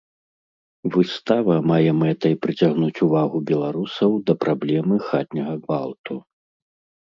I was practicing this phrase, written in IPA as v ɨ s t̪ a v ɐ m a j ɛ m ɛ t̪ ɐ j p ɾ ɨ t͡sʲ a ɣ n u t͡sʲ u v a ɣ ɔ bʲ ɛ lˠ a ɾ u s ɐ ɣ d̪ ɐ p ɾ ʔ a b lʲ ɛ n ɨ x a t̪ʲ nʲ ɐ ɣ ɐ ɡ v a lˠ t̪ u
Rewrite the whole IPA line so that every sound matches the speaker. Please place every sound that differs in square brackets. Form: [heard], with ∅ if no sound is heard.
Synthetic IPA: v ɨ s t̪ a v ɐ m a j ɛ m ɛ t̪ ɐ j p ɾ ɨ t͡sʲ a ɣ n u t͡sʲ u v a ɣ [u] bʲ ɛ lˠ a ɾ u s ɐ [w] d̪ ɐ p ɾ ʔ a b lʲ ɛ [m] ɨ x a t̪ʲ nʲ ɐ ɣ ɐ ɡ v a lˠ t̪ u

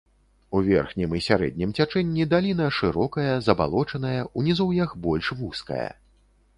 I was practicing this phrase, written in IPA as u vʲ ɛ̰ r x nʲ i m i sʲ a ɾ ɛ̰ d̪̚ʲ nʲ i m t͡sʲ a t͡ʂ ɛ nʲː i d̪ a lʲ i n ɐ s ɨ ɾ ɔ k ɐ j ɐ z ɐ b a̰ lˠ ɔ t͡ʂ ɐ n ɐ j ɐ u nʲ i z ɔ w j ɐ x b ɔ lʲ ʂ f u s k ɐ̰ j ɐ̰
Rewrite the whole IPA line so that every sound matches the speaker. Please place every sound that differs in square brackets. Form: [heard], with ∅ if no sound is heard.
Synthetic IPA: u vʲ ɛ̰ r x nʲ i m i sʲ a ɾ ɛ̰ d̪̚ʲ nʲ i m t͡sʲ a t͡ʂ ɛ nʲː i d̪ a lʲ i n ɐ [ʂ] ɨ ɾ ɔ k ɐ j ɐ z ɐ b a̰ lˠ ɔ t͡ʂ ɐ n ɐ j ɐ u nʲ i z ɔ w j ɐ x b ɔ lʲ ʂ [v] u s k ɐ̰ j ɐ̰

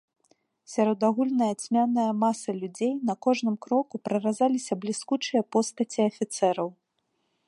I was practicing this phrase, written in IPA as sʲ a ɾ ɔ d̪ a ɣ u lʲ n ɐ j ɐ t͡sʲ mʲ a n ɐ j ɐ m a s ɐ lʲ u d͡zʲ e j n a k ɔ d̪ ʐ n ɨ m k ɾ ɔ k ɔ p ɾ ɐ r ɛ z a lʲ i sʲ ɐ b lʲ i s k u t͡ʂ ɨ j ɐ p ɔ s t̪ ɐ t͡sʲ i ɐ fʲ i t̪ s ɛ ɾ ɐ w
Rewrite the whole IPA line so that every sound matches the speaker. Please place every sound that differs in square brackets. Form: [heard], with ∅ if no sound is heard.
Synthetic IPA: sʲ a ɾ ɔ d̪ a ɣ u lʲ n ɐ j ɐ t͡sʲ mʲ a n ɐ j ɐ m a s ɐ lʲ u d͡zʲ e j n [ɐ] k ɔ [∅] ʐ n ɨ m k ɾ ɔ k [u] p ɾ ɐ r [a] z a lʲ i sʲ ɐ b lʲ i s k u t͡ʂ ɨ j ɐ p ɔ s t̪ ɐ t͡sʲ i ɐ fʲ i t̪ s ɛ ɾ ɐ w

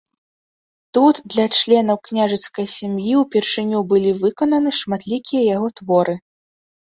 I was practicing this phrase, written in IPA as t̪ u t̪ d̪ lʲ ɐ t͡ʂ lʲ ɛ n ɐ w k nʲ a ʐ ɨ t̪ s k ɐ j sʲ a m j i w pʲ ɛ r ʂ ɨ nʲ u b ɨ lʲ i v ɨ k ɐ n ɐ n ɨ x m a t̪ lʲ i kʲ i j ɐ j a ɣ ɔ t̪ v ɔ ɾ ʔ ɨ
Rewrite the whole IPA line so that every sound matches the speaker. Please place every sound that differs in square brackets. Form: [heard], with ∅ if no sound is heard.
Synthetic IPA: t̪ u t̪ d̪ lʲ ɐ t͡ʂ lʲ ɛ n ɐ w k nʲ a ʐ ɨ t̪ s k ɐ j sʲ a m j i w pʲ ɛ r ʂ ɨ nʲ u b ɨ lʲ i v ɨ k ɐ n ɐ n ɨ [ʂ] m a t̪ lʲ i kʲ i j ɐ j a ɣ ɔ t̪ v ɔ ɾ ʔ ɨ

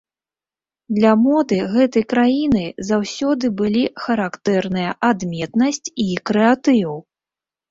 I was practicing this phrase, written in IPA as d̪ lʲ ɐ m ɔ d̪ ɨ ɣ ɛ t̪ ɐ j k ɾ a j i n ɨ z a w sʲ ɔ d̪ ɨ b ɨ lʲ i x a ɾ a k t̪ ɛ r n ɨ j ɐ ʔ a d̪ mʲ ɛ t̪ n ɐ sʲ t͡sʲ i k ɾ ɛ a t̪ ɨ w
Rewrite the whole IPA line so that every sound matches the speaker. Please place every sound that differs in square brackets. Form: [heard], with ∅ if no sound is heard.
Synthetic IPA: d̪ lʲ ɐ m ɔ d̪ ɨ ɣ ɛ t̪ ɐ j k ɾ a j i n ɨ z a w sʲ ɔ d̪ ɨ b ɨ lʲ i x [ɐ] ɾ a k t̪ ɛ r n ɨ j ɐ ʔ a d̪ mʲ ɛ t̪ n ɐ sʲ t͡sʲ i k ɾ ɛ a t̪ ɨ w

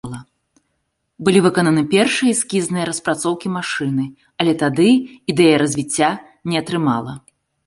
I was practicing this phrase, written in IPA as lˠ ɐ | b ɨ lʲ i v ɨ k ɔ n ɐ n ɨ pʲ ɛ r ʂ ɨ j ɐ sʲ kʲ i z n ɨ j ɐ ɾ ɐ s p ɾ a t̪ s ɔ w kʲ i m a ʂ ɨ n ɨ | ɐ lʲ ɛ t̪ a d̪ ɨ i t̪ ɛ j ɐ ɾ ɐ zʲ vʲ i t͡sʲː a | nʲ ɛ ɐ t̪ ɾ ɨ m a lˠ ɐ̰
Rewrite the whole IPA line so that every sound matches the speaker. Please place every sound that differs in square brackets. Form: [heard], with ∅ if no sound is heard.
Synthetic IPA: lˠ ɐ | b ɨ lʲ i v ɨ k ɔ n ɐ n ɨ pʲ ɛ r ʂ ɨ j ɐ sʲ kʲ i z n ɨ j ɐ ɾ ɐ s p ɾ a t̪ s ɔ w kʲ i m a ʂ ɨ n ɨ | ɐ lʲ ɛ t̪ a d̪ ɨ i [d̪] ɛ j ɐ ɾ ɐ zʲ vʲ i t͡sʲː a | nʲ ɛ ɐ t̪ ɾ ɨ m a lˠ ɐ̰

